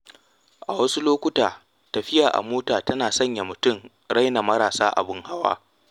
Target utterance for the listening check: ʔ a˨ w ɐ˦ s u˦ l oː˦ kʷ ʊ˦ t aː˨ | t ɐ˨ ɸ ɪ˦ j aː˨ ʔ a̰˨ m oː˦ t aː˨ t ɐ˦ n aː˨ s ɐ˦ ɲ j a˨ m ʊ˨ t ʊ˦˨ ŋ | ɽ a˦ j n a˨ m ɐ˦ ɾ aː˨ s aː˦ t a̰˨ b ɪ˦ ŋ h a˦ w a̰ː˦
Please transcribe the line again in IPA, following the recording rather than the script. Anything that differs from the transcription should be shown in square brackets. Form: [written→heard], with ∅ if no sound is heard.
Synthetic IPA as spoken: ʔ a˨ w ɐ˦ s u˦ l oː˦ kʷ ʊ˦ t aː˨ | t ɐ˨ ɸ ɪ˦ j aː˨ ʔ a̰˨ m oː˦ t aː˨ t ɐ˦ n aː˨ s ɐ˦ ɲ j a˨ m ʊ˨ t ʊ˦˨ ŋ | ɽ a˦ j n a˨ m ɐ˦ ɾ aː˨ s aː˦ [t→ʔ] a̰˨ b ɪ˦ ŋ h a˦ w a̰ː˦